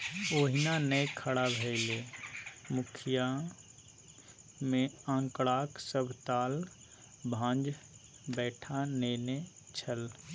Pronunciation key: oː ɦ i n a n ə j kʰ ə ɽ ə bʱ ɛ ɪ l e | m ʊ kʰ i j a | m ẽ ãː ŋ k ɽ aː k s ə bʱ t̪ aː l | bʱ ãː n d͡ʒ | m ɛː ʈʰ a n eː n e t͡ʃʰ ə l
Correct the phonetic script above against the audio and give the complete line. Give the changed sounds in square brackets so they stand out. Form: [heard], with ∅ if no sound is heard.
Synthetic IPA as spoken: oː ɦ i n a n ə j kʰ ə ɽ [a] bʱ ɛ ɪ l e | m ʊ kʰ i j a | m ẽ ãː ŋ k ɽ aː k s ə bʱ t̪ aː l | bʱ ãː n d͡ʒ | [b] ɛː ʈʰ a n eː n e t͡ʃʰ ə l